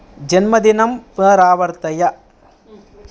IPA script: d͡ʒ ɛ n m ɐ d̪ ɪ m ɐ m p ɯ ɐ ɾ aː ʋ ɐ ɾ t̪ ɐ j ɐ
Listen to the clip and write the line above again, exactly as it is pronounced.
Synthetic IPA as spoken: d͡ʒ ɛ n m ɐ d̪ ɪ n ɐ m p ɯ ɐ ɾ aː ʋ ɐ ɾ t̪ ɐ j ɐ